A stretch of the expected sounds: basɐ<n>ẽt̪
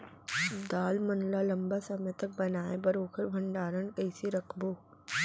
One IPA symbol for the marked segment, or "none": m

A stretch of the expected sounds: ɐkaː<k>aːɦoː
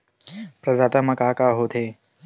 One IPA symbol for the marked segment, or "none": k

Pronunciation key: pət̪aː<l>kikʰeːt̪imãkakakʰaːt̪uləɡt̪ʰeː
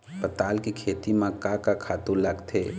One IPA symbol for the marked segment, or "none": l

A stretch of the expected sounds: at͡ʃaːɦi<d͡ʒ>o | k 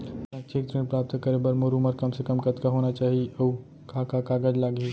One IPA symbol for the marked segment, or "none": none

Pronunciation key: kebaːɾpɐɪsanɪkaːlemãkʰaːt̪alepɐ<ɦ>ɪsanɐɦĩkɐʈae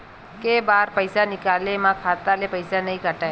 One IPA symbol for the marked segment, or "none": none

